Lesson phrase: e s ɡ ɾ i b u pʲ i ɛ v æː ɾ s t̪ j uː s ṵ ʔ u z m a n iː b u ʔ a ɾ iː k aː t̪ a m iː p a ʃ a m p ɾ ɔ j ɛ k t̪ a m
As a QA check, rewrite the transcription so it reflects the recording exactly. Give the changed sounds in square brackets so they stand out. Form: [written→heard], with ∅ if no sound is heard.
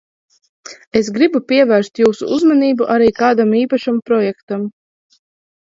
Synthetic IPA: e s ɡ ɾ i b u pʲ i ɛ v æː ɾ s t̪ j uː s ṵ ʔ u z m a n iː b u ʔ a ɾ iː k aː [t̪→d̪] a m iː p a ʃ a m p ɾ ɔ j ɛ k t̪ a m